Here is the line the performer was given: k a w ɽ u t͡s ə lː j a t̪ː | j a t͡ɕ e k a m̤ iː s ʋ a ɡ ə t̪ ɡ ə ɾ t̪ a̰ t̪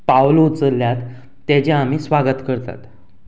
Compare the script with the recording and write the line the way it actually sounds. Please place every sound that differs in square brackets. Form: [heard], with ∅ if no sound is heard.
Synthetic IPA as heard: [p] a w [l] u t͡s ə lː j a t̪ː | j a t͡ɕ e [∅] a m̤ iː s ʋ a ɡ ə t̪ [k] ə ɾ t̪ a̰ t̪